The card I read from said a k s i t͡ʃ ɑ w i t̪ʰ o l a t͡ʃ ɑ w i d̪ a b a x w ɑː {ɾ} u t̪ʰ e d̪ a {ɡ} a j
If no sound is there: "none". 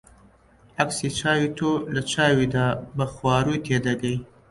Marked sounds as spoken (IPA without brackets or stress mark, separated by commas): ɾ, ɡ